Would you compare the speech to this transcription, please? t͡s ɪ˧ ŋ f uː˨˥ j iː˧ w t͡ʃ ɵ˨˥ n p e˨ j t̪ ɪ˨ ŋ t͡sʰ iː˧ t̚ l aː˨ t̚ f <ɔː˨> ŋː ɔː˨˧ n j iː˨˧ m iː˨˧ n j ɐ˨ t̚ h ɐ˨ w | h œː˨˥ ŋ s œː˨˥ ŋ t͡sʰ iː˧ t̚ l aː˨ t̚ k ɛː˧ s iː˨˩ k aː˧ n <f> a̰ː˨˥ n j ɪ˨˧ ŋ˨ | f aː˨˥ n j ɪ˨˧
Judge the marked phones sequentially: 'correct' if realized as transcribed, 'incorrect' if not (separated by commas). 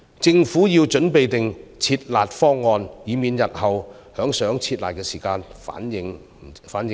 incorrect, correct